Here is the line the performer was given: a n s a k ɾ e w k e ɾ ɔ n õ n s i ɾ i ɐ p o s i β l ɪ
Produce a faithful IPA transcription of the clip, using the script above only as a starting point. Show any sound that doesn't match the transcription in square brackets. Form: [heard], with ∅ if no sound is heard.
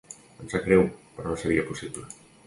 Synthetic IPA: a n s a k ɾ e w [p] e ɾ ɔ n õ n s [e] ɾ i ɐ p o s i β l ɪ

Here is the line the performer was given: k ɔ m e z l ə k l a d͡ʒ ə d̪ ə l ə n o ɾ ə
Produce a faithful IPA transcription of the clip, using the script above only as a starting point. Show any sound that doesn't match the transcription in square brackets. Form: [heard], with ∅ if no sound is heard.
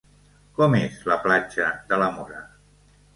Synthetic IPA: k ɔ m e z l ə [p] l a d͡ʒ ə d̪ ə l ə [m] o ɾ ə

